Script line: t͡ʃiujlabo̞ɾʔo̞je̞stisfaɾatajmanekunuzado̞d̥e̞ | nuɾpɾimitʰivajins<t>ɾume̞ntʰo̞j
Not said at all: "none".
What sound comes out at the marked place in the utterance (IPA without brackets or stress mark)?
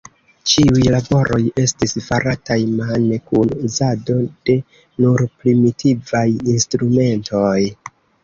t